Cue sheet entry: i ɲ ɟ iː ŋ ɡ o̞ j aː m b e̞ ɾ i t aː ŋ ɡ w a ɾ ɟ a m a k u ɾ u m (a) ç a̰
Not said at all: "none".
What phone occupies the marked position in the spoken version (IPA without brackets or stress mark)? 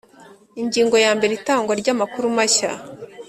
a